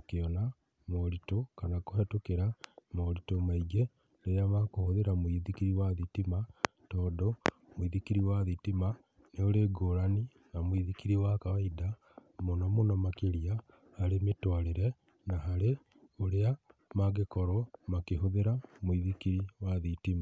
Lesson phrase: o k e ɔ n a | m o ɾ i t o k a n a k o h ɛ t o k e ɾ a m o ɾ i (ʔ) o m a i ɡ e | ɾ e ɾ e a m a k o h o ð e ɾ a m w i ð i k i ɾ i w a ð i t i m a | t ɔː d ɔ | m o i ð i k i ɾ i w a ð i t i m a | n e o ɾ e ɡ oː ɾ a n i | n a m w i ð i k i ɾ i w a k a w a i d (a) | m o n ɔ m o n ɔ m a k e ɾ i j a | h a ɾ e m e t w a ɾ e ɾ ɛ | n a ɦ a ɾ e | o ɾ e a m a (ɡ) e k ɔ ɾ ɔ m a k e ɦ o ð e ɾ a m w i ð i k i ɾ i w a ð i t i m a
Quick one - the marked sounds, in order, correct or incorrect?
incorrect: t, correct, correct

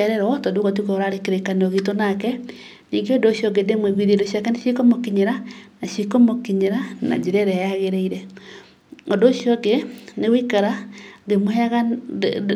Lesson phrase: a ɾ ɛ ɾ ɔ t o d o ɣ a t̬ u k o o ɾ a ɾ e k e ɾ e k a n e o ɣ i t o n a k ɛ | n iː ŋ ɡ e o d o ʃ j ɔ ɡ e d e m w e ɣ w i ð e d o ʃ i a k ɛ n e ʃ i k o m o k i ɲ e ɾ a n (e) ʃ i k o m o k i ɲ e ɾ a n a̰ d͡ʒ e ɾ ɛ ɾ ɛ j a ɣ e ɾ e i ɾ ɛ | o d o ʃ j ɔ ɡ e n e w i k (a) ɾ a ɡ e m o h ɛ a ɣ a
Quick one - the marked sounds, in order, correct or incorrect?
incorrect: a, correct

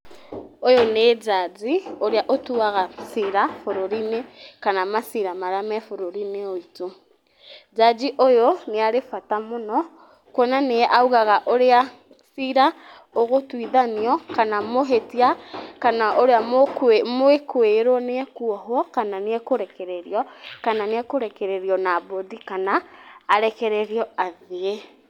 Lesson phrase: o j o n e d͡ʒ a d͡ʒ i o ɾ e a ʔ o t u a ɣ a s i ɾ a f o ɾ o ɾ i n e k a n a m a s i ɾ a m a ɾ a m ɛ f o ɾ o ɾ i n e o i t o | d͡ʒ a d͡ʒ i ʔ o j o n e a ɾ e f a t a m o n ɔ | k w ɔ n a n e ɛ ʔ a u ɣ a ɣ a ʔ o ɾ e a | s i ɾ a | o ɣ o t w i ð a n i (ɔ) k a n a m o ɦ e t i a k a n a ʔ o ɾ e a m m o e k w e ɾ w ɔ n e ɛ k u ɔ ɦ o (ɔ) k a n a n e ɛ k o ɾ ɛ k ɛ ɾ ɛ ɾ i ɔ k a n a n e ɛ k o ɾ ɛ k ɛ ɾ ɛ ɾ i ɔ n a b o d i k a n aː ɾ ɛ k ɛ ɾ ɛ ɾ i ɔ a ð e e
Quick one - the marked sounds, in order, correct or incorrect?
correct, correct

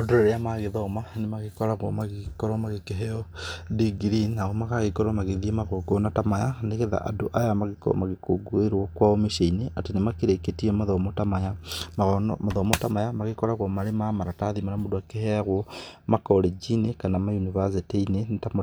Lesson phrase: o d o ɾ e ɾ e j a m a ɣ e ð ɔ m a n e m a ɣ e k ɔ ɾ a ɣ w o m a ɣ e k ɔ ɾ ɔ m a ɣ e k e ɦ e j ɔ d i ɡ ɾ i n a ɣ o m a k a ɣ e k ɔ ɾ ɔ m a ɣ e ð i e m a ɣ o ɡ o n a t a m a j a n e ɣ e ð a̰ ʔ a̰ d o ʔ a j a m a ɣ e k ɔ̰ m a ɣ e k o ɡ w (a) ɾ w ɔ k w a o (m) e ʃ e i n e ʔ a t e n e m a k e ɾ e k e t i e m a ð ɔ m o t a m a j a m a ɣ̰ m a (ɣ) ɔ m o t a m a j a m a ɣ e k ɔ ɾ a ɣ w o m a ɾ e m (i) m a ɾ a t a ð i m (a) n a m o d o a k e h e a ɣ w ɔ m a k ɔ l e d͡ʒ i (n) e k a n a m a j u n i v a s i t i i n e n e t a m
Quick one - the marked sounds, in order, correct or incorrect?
incorrect: e, correct, incorrect: ð, incorrect: a, correct, correct

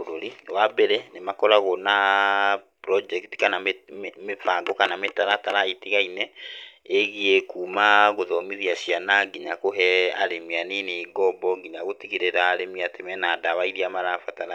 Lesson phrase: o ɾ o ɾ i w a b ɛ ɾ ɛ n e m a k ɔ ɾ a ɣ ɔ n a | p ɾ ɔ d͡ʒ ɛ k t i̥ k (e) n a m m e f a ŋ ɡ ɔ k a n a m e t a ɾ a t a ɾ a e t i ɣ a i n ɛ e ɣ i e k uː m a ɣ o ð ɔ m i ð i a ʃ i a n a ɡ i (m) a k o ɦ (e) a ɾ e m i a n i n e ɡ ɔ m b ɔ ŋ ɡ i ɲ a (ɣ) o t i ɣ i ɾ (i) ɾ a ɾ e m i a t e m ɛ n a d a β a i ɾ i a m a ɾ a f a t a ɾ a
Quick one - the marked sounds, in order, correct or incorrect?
incorrect: a, incorrect: ɲ, incorrect: ɛ, correct, incorrect: e

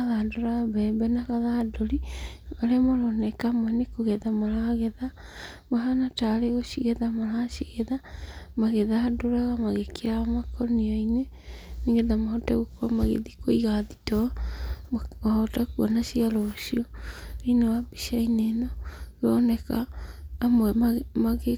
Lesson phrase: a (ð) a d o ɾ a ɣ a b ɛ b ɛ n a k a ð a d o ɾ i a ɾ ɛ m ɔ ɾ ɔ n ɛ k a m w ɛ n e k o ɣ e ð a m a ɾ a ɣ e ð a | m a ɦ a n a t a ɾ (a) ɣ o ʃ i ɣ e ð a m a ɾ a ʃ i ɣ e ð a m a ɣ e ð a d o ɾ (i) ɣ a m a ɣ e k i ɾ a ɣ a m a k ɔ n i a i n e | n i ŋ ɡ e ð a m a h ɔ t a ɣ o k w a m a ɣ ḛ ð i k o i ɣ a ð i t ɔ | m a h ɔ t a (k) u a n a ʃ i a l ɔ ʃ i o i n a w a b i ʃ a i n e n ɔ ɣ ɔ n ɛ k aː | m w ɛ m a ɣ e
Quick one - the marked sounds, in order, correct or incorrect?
correct, incorrect: e, incorrect: a, correct

